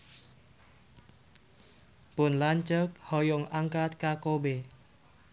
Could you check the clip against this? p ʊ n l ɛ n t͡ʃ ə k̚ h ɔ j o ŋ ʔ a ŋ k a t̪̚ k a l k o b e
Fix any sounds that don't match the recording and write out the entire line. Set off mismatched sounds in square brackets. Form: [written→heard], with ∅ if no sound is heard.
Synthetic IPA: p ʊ n l [ɛ→a] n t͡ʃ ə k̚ h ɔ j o ŋ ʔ a ŋ k a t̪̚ k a [l→∅] k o b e

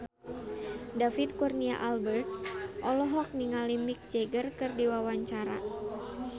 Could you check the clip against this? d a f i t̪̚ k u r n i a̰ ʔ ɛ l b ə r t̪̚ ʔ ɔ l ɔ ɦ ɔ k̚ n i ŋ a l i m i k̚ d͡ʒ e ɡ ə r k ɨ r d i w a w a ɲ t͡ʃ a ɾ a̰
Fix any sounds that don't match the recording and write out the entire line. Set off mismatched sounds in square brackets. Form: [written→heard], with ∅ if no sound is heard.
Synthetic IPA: d a f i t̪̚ k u r n i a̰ ʔ [ɛ→a] l b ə r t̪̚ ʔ ɔ l ɔ ɦ ɔ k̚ n i ŋ a l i m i k̚ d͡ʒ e ɡ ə r k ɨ r d i w a w a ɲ t͡ʃ a ɾ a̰

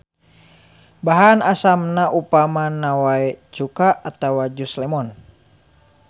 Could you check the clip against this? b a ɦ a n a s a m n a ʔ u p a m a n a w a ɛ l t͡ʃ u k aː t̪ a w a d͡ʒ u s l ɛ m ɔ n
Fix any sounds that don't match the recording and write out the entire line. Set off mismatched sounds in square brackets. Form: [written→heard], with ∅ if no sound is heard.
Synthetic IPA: b a ɦ a n a s a m n a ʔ u p a m a n a w a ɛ [l→∅] t͡ʃ u k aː t̪ a w a d͡ʒ u s l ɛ m ɔ n

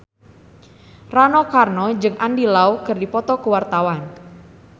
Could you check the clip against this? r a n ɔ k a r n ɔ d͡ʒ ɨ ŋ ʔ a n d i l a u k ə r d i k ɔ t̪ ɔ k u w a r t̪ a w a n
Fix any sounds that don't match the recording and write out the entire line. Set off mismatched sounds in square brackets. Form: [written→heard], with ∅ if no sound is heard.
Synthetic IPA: r a n ɔ k a r n ɔ d͡ʒ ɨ ŋ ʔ a n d i l a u k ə r d i [k→p] ɔ t̪ ɔ k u w a r t̪ a w a n

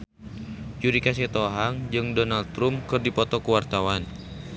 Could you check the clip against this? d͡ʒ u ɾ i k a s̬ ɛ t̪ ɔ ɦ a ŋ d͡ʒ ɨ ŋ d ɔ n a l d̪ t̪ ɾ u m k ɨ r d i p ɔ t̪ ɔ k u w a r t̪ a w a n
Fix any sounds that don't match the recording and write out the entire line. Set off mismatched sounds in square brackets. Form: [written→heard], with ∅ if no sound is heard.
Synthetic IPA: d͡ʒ u ɾ i k a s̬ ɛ t̪ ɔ ɦ a ŋ d͡ʒ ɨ ŋ d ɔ n a l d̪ t̪ ɾ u m k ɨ r d i p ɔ t̪ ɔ k u w a r t̪ a w a n

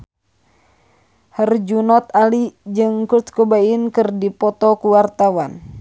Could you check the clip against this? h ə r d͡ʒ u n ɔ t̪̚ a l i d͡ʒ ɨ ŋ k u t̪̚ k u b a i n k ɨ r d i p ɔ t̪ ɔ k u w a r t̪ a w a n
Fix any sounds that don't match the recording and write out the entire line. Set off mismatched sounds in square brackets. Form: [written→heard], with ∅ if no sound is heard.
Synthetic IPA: h ə r d͡ʒ u n ɔ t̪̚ a l i d͡ʒ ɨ ŋ k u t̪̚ k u b a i n k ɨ r d i p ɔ t̪ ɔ k u w a r t̪ a w a n

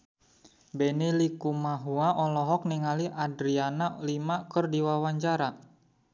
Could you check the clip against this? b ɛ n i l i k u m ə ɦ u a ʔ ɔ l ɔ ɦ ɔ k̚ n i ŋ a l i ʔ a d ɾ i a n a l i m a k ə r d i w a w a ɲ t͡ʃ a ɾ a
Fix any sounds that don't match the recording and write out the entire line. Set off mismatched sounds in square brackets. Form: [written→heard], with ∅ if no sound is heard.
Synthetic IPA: b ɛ n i l i k u m [ə→a] ɦ u a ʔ ɔ l ɔ ɦ ɔ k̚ n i ŋ a l i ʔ a d ɾ i a n a l i m a k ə r d i w a w a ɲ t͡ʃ a ɾ a

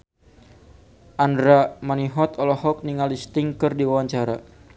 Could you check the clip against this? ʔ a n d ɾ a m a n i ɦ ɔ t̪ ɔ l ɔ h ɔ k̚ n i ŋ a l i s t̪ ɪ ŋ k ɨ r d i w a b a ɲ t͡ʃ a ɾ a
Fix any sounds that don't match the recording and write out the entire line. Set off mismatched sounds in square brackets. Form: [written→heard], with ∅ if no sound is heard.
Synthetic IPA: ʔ a n d ɾ a m a n i ɦ ɔ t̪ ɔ l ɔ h ɔ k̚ n i ŋ a l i s t̪ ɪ ŋ k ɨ r d i w a [b→w] a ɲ t͡ʃ a ɾ a

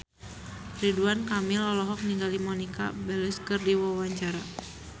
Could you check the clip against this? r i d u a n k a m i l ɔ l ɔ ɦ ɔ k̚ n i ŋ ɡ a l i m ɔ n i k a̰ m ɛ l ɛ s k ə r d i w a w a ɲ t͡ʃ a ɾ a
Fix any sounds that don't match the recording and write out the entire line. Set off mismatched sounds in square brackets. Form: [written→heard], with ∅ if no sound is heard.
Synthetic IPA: r i d u a n k a m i l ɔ l ɔ ɦ ɔ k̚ n i ŋ ɡ a l i m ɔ n i k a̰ [m→b] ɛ l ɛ s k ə r d i w a w a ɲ t͡ʃ a ɾ a

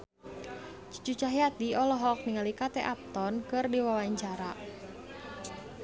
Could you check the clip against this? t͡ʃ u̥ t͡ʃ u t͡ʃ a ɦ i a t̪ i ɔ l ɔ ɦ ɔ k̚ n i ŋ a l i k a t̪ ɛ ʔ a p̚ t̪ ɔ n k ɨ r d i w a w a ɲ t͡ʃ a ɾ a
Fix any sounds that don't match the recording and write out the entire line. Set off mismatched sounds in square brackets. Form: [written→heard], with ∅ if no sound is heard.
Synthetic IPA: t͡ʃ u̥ t͡ʃ u t͡ʃ a ɦ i a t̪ i ɔ l ɔ ɦ ɔ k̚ n i ŋ a l i k a t̪ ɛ ʔ a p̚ t̪ ɔ n k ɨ r d i w a w a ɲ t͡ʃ a ɾ a

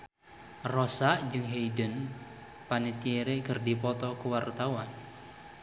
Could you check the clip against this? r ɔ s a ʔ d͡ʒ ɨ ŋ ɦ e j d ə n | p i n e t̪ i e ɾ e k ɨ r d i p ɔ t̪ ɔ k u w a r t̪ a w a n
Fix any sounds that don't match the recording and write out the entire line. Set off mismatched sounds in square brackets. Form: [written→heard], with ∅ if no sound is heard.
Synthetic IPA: r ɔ s a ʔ d͡ʒ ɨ ŋ ɦ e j d ə n | p [i→a] n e t̪ i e ɾ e k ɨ r d i p ɔ t̪ ɔ k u w a r t̪ a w a n

